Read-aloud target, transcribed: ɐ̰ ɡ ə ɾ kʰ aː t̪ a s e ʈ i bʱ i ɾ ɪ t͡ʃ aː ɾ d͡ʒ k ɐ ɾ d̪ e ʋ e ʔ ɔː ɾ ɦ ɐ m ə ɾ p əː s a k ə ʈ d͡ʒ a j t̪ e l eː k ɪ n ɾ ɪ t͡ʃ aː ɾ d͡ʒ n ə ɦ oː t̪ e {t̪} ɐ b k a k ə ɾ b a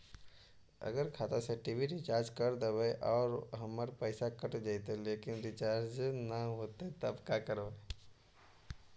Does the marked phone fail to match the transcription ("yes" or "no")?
no